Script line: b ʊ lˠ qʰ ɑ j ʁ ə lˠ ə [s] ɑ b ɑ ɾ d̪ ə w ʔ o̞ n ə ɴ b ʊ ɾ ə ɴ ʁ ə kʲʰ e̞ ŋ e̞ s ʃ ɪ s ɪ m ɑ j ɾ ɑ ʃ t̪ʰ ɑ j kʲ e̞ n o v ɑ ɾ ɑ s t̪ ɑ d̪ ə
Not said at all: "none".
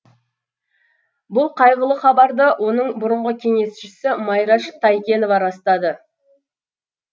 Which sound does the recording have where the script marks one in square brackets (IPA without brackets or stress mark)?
χ